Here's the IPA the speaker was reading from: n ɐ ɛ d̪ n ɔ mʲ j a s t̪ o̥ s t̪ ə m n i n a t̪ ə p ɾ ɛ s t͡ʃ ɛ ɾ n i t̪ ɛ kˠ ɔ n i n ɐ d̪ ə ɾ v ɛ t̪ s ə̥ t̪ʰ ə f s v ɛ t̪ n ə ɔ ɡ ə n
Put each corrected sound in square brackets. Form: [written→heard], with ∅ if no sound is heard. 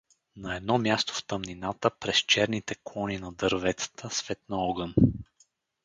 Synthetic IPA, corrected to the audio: n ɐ ɛ d̪ n ɔ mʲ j a s t̪ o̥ [s→f] t̪ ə m n i n a t̪ ə p ɾ ɛ s t͡ʃ ɛ ɾ n i t̪ ɛ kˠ ɔ n i n ɐ d̪ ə ɾ v ɛ t̪ s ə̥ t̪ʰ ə [f→∅] s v ɛ t̪ n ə ɔ ɡ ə n